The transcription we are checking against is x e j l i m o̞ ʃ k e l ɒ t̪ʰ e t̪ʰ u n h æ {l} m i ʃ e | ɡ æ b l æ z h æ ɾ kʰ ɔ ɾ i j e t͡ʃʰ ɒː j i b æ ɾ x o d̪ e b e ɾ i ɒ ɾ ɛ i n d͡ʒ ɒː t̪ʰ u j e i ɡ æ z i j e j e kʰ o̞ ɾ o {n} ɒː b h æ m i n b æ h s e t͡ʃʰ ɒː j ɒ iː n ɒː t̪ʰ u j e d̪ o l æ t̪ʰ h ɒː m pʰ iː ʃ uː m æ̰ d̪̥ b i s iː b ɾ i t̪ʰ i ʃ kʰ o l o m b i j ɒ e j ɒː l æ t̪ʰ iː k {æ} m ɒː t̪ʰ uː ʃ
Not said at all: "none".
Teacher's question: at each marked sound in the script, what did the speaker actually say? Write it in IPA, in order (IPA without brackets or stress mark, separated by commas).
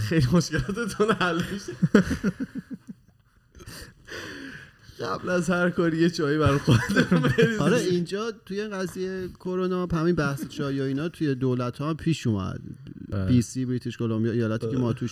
l, n, e